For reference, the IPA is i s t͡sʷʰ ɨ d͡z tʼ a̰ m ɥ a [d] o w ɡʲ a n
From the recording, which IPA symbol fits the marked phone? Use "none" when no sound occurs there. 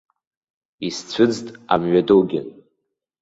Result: d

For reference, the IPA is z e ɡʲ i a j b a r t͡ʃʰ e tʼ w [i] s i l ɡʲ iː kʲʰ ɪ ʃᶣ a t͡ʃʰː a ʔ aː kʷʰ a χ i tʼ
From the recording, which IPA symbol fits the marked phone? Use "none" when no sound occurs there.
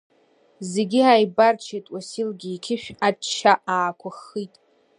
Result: a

